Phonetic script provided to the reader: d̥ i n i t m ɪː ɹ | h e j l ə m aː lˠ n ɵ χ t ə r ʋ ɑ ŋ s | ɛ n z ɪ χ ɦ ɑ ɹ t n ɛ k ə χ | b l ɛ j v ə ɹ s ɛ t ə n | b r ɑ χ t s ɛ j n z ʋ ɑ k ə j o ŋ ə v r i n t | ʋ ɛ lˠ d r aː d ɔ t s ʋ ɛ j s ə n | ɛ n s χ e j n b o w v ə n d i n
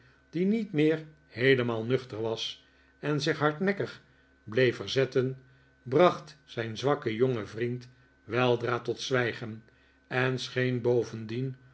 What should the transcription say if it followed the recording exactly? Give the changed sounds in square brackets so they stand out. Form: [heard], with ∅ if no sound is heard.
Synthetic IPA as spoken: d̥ i n i t m ɪː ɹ | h e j l ə m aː lˠ n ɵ χ t ə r ʋ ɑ [∅] s | ɛ n z ɪ χ ɦ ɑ ɹ t n ɛ k ə χ | b l [e] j [f] ə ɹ [z] ɛ t ə n | b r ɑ χ t s ɛ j n z ʋ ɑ k ə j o ŋ ə v r i n t | ʋ ɛ lˠ d r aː [t] ɔ t s ʋ ɛ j [χ] ə n | ɛ n s χ e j n b o w v ə n d i n